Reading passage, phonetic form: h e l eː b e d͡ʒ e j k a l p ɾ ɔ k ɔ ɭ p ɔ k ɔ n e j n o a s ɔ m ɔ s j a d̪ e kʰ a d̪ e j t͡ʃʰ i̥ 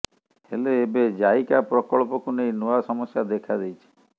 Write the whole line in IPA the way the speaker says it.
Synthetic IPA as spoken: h e l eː b e d͡ʒ a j k a p ɾ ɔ k ɔ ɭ p ɔ k u n e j n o a s ɔ m ɔ s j a d̪ e kʰ a d̪ e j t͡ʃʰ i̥